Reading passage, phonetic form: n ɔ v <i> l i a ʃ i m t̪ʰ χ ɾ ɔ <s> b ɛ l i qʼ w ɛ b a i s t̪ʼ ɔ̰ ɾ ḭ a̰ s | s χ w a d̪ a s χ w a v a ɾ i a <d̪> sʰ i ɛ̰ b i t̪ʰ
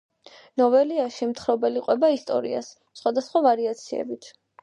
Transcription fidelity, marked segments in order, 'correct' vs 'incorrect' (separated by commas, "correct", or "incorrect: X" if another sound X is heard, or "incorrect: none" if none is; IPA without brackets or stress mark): incorrect: ɛ, incorrect: none, incorrect: t̪